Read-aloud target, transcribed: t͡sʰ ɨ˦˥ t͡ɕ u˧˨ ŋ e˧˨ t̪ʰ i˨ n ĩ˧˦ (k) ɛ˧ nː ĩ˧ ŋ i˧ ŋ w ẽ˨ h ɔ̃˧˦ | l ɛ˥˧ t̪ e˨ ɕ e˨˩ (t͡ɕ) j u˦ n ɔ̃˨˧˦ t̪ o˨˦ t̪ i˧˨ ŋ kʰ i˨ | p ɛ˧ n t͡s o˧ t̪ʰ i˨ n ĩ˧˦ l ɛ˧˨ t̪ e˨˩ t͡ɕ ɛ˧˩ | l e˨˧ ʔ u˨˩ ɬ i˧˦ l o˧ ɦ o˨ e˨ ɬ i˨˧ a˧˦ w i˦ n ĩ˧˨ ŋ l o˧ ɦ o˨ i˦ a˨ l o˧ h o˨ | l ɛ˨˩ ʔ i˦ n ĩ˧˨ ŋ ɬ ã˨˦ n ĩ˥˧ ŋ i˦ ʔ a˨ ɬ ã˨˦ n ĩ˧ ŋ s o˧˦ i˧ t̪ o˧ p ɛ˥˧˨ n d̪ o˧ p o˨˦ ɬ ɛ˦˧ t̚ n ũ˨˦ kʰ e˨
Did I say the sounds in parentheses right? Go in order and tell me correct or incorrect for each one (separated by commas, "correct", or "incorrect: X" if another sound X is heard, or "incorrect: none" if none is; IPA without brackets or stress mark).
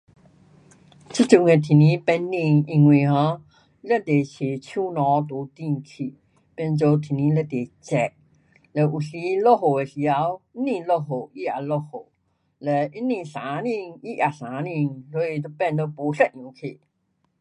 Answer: incorrect: p, incorrect: t͡ɕʰ